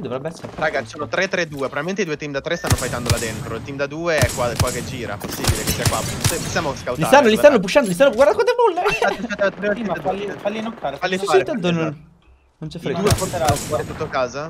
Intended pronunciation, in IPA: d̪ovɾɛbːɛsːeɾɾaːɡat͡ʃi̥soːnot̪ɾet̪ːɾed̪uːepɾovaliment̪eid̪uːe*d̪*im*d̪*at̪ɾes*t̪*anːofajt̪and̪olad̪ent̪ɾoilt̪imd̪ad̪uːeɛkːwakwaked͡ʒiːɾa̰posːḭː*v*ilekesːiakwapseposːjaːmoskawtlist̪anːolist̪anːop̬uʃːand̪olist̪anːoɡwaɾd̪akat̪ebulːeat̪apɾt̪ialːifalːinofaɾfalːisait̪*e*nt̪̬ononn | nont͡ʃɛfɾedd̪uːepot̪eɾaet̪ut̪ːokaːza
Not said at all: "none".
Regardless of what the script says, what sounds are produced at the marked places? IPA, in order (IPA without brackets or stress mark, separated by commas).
t̪, d̪, t̪, b, a